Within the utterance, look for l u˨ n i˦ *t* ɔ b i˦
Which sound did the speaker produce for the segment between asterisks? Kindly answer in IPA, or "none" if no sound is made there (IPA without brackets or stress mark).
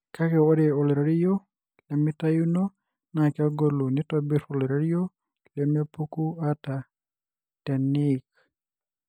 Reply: t